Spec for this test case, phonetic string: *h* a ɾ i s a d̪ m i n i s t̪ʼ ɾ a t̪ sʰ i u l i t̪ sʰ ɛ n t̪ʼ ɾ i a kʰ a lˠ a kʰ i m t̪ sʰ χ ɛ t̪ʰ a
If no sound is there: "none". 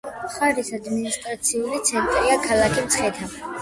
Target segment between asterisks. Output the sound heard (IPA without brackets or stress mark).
χ